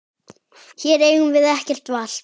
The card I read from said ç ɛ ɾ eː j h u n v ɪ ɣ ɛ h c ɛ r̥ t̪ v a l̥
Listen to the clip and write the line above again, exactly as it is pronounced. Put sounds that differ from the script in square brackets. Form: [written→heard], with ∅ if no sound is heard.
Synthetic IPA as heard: ç ɛ ɾ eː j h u n v ɪ [ɣ→ð] ɛ h c ɛ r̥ t̪ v a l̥